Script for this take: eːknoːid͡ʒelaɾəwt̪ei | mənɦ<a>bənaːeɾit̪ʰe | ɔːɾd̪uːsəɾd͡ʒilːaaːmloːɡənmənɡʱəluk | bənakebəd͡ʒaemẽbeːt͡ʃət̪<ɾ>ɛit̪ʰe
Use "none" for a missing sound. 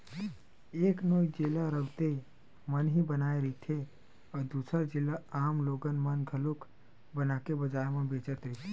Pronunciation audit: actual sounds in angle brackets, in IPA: i, ɾ

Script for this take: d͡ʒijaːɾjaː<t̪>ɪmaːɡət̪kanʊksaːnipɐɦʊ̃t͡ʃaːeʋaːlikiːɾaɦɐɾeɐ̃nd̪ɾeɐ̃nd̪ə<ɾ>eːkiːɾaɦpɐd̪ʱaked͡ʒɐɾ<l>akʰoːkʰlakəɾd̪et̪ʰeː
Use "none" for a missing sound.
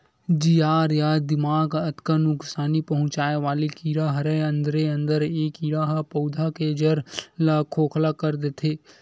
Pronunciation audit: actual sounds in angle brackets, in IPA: d̪, ɾ, l

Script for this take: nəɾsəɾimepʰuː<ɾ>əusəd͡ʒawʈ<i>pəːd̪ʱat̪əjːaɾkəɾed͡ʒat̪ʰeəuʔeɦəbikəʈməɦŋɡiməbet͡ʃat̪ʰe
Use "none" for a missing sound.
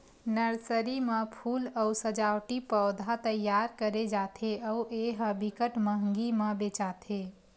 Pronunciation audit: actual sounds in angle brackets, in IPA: l, i

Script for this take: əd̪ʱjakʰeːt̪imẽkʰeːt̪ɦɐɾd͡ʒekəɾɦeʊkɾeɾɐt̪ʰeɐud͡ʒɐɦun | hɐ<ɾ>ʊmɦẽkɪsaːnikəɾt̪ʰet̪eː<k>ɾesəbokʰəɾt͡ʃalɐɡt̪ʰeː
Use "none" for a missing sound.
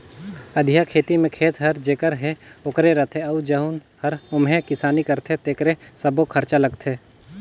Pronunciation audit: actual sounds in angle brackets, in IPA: ɾ, k

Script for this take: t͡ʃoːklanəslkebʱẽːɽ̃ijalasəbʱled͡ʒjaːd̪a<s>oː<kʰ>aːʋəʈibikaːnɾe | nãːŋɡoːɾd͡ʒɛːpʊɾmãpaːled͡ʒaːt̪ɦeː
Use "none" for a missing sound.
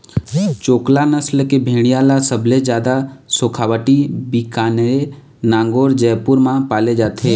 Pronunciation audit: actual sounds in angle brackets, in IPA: s, kʰ

